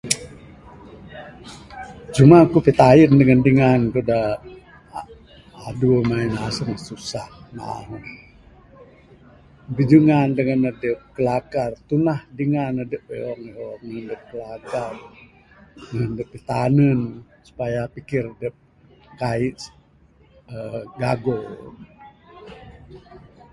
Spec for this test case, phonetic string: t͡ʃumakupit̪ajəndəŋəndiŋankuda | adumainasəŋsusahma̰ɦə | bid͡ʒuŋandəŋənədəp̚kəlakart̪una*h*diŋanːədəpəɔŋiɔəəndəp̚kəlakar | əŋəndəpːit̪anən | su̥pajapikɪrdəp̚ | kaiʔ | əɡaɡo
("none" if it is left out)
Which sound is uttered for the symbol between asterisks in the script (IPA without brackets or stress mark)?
h